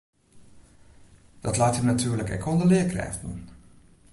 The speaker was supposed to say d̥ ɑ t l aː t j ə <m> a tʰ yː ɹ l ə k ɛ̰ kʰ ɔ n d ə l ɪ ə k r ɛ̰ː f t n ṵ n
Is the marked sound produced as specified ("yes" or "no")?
no